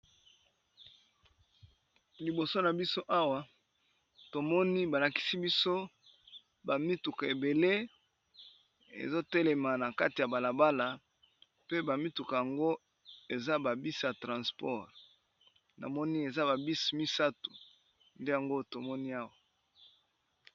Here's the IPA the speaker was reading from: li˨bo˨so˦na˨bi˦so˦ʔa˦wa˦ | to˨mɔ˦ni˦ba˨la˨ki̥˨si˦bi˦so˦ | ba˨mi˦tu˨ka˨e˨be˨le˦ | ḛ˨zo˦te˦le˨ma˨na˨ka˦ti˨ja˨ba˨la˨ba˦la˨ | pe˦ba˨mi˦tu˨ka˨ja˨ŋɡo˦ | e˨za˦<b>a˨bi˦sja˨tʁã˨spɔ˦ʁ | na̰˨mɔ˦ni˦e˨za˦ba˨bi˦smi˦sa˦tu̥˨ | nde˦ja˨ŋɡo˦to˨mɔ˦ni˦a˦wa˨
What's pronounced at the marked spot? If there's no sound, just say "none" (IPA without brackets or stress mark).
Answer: b